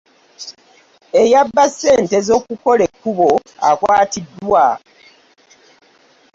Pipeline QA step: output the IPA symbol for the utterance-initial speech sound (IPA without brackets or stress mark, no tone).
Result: e